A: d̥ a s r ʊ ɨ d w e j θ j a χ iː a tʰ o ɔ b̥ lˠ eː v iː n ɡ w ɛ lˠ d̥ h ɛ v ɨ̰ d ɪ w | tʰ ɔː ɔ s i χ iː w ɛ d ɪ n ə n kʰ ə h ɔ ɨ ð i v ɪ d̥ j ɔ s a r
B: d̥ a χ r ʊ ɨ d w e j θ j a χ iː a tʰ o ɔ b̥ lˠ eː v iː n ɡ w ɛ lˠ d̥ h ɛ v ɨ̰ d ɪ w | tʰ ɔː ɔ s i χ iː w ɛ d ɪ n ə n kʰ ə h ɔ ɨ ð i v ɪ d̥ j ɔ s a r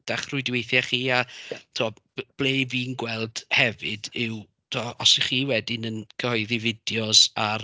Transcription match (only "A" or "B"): B